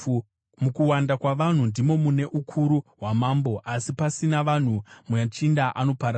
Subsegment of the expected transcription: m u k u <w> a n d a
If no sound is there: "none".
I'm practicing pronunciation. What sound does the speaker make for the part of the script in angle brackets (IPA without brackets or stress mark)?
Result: w